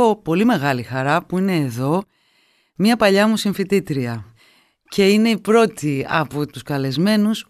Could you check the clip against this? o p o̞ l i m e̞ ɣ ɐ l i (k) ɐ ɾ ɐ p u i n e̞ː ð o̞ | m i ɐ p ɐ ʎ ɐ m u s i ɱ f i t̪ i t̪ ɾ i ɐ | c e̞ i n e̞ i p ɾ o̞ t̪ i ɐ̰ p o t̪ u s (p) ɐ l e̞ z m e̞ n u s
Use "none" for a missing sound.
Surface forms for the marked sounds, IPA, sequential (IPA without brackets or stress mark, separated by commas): x, k